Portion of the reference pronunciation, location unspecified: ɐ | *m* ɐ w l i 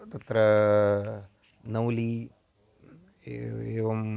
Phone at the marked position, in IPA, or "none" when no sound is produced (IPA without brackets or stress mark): n